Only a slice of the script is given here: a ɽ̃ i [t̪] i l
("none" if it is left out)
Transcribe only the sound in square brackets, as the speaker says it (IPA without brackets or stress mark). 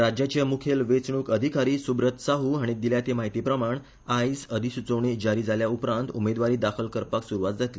d̪